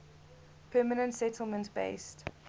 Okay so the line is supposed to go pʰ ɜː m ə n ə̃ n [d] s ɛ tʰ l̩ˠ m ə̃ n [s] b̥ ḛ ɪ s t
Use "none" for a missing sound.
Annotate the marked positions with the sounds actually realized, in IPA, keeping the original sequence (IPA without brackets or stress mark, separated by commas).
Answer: t, t